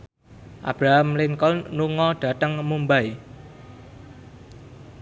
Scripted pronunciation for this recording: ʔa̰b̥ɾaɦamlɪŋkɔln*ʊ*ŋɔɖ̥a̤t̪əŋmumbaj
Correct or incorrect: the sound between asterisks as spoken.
incorrect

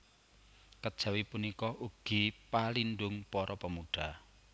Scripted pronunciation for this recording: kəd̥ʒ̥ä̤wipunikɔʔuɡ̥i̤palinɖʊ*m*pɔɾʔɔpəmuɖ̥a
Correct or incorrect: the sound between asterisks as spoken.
incorrect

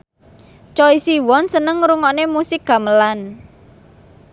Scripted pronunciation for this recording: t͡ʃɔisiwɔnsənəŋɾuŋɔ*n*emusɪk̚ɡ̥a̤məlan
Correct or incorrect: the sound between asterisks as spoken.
correct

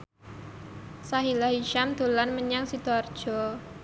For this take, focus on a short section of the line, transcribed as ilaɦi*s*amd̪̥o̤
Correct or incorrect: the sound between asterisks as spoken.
incorrect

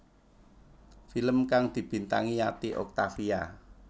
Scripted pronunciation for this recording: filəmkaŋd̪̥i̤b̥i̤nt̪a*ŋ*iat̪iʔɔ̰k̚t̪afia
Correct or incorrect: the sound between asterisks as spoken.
correct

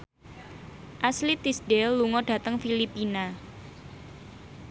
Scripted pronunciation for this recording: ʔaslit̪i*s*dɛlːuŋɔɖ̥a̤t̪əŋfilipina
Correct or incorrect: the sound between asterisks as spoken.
correct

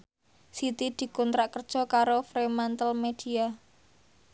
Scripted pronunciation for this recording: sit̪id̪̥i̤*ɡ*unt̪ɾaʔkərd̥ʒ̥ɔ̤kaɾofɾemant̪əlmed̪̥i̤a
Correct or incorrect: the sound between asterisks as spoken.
incorrect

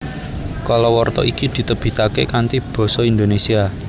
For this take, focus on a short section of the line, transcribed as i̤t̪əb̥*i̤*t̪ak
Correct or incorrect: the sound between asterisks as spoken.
correct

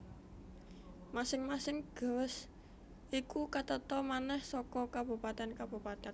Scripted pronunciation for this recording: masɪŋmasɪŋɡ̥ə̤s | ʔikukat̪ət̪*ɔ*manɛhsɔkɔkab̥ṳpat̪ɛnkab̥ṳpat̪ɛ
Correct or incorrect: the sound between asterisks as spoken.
correct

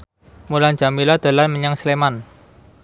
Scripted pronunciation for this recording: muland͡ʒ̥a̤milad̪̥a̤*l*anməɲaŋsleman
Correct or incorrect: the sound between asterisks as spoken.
correct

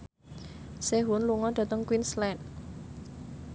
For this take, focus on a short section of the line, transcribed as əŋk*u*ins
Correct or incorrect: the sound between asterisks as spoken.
incorrect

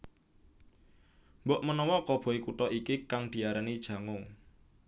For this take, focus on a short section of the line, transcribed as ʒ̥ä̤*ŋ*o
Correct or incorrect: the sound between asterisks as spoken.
correct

